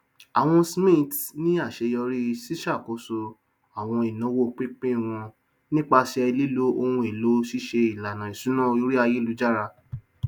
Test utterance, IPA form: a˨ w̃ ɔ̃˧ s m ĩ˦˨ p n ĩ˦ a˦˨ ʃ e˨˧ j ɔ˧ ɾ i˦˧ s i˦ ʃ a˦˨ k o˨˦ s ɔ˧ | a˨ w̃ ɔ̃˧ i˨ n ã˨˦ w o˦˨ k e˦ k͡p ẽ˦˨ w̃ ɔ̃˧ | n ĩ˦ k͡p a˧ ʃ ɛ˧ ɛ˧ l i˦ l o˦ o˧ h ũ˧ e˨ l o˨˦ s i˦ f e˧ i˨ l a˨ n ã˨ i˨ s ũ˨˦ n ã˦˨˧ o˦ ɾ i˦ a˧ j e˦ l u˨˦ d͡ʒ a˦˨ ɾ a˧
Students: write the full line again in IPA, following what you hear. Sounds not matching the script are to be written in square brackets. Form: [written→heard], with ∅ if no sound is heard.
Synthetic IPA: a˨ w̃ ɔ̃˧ s m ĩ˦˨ [p→t] n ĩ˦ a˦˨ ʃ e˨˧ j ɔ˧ ɾ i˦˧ s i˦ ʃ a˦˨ k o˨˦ s [ɔ˧→o˧] | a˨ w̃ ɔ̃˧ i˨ n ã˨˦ w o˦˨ [k→k͡p] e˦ k͡p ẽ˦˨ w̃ ɔ̃˧ | n ĩ˦ k͡p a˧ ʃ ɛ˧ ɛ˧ l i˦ l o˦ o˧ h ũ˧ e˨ l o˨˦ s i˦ [f→ʃ] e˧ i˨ l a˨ n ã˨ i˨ s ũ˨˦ n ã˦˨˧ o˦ ɾ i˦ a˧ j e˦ l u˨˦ d͡ʒ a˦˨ ɾ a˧